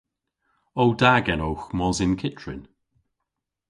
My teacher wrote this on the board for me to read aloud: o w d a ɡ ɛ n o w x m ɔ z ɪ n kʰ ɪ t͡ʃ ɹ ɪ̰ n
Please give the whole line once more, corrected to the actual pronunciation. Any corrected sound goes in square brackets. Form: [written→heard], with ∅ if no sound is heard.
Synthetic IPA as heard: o w d a ɡ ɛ n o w x m ɔ z ɪ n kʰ ɪ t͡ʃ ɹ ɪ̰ n